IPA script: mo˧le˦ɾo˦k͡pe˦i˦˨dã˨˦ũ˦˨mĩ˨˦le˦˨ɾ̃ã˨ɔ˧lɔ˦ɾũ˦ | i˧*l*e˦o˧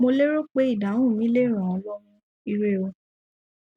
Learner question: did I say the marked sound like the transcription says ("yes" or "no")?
no